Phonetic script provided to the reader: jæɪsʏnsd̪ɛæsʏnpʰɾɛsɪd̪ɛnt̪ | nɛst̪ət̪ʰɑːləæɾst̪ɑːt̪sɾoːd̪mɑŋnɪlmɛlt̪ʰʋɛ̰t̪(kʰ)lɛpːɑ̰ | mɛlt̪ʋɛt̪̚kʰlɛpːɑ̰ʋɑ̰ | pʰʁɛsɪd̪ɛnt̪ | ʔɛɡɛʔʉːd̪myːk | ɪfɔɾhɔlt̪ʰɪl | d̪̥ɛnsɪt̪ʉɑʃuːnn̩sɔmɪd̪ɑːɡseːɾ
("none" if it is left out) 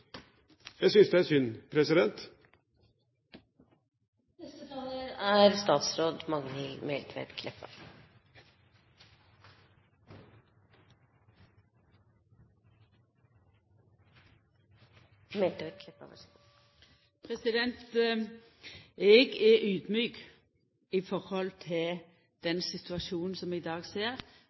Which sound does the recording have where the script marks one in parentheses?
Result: kʰ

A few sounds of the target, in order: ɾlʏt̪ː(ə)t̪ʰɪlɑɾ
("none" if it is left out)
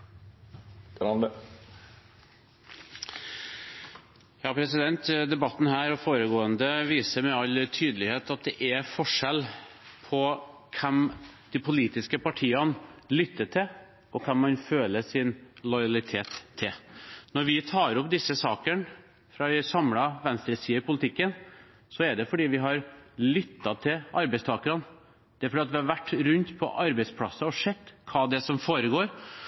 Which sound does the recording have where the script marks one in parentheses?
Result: ɑ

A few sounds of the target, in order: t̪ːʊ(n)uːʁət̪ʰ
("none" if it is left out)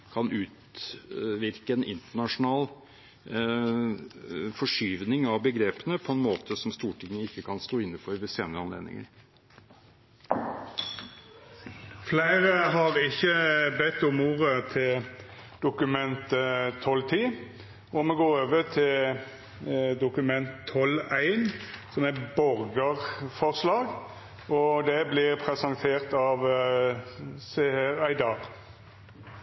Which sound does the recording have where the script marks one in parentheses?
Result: m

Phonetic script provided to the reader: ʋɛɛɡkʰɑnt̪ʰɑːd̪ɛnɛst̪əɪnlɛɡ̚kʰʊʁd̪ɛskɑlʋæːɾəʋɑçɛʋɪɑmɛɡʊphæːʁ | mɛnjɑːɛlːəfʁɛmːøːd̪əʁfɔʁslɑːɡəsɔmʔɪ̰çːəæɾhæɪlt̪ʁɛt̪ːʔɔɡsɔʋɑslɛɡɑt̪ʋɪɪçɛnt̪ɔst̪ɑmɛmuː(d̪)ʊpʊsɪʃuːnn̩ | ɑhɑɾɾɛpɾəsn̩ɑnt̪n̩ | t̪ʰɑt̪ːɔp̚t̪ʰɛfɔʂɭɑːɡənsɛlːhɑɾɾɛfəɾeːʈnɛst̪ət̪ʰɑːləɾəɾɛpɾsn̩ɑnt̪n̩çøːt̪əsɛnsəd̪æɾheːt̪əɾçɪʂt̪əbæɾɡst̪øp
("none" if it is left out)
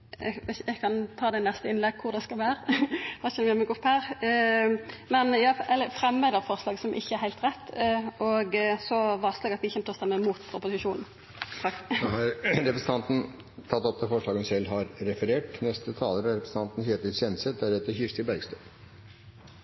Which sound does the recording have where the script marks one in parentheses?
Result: t̪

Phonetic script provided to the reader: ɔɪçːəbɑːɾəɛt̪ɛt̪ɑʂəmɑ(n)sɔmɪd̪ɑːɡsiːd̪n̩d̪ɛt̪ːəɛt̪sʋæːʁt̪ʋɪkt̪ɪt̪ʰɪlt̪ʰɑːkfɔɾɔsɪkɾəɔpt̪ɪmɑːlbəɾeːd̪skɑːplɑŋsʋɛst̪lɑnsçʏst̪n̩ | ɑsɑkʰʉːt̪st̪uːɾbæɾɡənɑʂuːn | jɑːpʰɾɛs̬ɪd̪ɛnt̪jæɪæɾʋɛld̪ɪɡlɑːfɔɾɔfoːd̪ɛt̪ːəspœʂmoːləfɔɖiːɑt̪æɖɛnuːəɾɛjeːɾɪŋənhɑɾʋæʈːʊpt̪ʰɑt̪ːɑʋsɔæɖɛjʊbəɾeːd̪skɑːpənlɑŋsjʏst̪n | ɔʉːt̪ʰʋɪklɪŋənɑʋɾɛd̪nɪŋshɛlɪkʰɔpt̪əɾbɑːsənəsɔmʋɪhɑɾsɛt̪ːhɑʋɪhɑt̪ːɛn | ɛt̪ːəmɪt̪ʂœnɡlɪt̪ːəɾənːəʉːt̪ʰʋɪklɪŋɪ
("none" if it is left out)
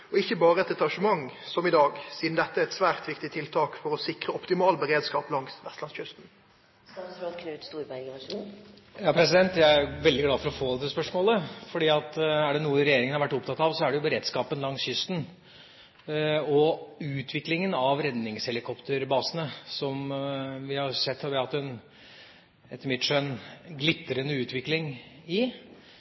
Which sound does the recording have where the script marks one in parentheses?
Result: ŋ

